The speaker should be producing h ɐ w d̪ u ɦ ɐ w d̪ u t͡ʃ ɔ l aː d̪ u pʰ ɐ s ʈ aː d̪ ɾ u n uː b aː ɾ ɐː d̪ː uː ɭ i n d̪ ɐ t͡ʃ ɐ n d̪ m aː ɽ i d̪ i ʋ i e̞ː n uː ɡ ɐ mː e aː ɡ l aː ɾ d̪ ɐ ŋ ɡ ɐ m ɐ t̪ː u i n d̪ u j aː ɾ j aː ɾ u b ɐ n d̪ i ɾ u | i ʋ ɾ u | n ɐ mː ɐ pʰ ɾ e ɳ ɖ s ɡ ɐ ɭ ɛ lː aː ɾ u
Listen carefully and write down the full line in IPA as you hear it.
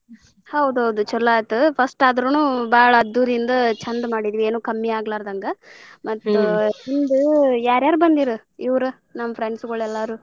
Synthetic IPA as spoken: h ɐ w d̪ u ɦ ɐ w d̪ u t͡ʃ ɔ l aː t̪ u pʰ ɐ s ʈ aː d̪ ɾ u n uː b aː ɭ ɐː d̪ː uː ɾ i n d̪ ɐ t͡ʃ ɐ n d̪ m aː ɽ i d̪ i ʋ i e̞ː n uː k ɐ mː i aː ɡ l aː ɾ d̪ ɐ ŋ ɡ ɐ m ɐ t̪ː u i n d̪ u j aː ɾ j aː ɾ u b ɐ n d̪ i ɾ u | i ʋ ɾ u | n ɐ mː ɐ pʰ ɾ e ɳ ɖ s ɡ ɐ ɭ ɛ lː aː ɾ u